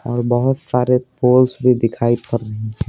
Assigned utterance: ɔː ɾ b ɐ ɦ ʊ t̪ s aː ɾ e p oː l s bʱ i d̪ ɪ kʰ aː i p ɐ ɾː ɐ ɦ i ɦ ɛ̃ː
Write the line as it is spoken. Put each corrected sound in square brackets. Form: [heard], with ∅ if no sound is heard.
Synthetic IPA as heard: ɔː ɾ b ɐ ɦ ʊ t̪ s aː ɾ e p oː l s bʱ i d̪ ɪ kʰ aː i p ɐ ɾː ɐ ɦ i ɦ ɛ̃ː